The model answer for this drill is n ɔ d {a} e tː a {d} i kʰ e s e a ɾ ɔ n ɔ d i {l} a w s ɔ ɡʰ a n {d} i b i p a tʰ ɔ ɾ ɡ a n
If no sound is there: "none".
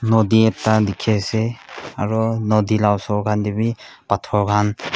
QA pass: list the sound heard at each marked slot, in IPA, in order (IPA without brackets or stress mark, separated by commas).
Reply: i, d, l, d